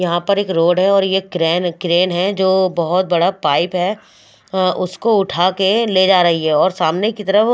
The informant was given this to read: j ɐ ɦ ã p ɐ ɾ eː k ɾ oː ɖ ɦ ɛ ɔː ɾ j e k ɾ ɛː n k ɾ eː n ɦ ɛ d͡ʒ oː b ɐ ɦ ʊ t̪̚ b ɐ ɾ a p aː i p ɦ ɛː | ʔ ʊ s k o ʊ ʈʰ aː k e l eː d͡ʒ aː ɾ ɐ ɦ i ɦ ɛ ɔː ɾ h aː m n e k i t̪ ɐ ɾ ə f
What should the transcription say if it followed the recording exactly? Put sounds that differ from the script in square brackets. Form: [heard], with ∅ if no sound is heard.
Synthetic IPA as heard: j ɐ ɦ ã p ɐ ɾ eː k ɾ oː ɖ ɦ ɛ ɔː ɾ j e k ɾ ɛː n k ɾ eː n ɦ ɛ d͡ʒ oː b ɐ ɦ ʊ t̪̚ b ɐ [ɽ] a p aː [ɪ] p ɦ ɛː | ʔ ʊ s k o ʊ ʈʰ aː k e l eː d͡ʒ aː ɾ ɐ ɦ i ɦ ɛ ɔː ɾ [s] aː m n e k i t̪ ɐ ɾ ə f